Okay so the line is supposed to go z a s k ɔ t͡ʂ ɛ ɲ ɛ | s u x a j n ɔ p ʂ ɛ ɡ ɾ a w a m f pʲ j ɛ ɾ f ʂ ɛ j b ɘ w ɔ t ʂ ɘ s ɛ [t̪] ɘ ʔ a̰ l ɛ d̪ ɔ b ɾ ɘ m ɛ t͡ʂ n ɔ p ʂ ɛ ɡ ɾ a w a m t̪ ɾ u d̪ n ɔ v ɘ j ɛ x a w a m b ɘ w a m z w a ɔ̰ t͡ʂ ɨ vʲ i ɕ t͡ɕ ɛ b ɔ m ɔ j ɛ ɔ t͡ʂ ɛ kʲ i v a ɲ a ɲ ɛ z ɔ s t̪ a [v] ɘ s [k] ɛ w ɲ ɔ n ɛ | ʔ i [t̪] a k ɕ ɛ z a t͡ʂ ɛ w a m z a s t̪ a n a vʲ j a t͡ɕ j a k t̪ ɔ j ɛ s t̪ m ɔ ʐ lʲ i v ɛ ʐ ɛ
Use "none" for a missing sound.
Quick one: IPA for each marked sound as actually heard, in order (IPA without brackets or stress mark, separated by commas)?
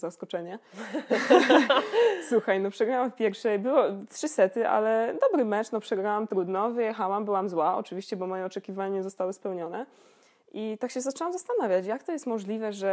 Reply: t̪, w, p, t̪